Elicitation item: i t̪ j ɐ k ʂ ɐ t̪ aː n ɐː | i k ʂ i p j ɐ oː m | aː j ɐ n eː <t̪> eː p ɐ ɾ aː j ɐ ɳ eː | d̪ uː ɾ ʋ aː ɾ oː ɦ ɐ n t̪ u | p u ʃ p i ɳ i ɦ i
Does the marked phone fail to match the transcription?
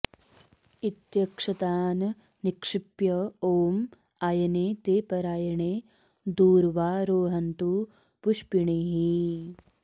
no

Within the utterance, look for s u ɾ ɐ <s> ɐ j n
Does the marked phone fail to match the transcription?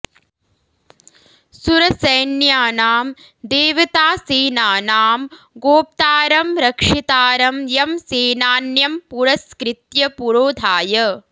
no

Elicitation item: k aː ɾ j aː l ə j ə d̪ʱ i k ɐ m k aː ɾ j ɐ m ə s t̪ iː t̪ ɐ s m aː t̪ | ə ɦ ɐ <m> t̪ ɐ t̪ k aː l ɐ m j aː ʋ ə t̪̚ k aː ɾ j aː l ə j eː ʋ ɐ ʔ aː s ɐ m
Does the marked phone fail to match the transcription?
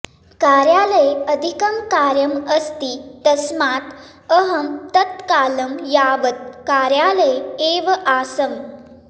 no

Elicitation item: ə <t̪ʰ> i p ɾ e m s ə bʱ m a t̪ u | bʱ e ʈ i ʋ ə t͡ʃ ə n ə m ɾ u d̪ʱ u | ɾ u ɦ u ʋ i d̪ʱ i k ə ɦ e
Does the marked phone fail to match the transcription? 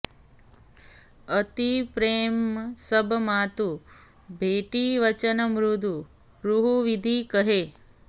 yes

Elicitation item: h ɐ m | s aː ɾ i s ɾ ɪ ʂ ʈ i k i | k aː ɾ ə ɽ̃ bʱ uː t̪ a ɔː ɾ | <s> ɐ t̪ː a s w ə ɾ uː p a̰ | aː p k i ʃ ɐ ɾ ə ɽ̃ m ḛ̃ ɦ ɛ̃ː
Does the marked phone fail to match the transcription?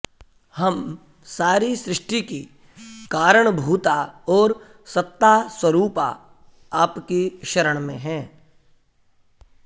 no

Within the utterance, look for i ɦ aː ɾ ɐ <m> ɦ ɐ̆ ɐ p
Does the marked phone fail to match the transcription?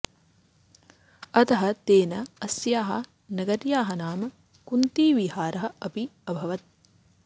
yes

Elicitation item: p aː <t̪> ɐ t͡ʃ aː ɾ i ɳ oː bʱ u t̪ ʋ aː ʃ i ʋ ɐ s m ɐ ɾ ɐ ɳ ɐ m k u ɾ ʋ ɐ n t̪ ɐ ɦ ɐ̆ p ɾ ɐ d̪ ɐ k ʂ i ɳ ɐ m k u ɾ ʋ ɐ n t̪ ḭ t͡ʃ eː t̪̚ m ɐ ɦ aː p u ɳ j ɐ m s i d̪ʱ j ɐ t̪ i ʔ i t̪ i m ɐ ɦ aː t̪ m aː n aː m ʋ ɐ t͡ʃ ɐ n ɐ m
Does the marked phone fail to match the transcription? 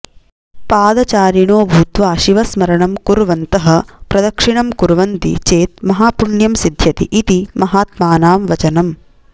yes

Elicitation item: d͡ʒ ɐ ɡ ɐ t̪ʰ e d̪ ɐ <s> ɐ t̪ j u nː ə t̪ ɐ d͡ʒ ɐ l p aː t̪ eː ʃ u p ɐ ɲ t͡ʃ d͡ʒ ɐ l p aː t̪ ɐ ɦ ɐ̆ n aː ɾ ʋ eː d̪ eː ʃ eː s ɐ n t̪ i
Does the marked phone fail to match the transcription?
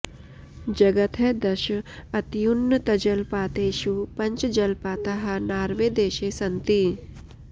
yes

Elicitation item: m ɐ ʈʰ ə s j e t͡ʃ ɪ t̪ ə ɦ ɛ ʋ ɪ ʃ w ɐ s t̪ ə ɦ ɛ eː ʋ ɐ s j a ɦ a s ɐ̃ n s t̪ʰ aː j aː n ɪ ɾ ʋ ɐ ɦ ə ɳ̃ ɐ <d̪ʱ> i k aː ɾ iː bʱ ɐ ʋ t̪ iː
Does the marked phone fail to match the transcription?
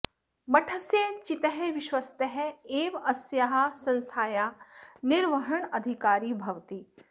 no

